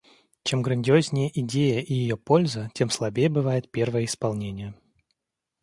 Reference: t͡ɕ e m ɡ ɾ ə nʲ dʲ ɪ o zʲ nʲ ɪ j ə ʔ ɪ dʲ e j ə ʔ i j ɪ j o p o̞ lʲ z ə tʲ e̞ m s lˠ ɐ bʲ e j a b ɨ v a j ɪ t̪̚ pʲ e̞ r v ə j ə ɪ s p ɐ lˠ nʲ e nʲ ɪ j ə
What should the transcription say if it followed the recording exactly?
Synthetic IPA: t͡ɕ e m ɡ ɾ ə nʲ dʲ ɪ o zʲ nʲ ɪ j ə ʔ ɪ dʲ e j ə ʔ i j ɪ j o p o̞ lʲ z ə tʲ e̞ m s lˠ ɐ bʲ e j ə b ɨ v a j ɪ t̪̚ pʲ e̞ r v ə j ə ɪ s p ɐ lˠ nʲ e nʲ ɪ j ə